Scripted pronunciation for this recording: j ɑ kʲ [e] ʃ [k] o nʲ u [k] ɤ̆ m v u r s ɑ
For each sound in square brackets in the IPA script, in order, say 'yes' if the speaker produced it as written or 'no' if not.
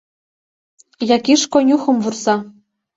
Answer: no, yes, no

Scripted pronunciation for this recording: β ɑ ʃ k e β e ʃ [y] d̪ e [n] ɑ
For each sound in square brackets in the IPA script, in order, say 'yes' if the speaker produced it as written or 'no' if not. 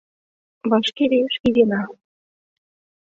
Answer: no, yes

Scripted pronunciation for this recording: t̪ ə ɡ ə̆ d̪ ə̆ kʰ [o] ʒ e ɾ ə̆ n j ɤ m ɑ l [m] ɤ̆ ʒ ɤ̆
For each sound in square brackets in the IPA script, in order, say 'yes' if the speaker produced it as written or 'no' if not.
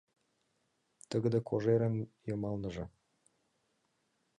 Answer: yes, no

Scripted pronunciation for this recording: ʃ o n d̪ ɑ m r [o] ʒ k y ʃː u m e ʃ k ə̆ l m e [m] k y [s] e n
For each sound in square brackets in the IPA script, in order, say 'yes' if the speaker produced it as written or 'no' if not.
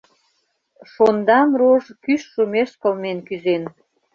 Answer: yes, no, no

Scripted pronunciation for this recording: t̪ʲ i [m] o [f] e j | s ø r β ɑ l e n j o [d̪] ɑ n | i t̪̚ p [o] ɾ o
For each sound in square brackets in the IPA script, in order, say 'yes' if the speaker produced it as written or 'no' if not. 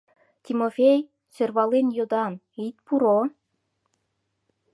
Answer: yes, yes, yes, no

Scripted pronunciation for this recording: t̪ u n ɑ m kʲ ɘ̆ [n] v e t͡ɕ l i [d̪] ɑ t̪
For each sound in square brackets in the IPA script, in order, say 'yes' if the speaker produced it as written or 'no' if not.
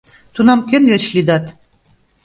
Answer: yes, yes

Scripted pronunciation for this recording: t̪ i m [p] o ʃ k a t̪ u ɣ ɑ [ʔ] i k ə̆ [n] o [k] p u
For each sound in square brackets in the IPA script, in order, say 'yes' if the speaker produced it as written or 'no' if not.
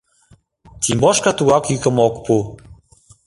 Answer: no, no, no, yes

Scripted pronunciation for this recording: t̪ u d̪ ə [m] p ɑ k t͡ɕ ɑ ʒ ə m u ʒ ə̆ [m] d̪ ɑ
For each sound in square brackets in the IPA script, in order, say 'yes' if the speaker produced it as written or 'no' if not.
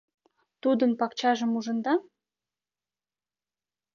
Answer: no, no

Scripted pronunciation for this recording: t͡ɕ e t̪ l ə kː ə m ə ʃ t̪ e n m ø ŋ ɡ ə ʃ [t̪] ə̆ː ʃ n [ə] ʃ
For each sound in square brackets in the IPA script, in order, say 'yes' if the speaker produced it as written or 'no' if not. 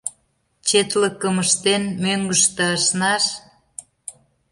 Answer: yes, no

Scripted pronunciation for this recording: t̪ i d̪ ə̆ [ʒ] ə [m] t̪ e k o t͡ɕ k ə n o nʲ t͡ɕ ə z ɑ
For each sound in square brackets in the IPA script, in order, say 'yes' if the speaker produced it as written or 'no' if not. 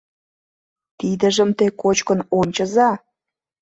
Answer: yes, yes

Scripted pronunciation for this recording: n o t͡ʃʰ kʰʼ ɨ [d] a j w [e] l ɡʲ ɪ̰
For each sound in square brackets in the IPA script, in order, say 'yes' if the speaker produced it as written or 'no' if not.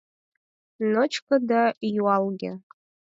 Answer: yes, no

